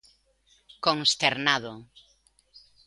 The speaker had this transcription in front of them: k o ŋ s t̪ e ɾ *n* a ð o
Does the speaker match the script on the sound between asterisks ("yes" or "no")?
yes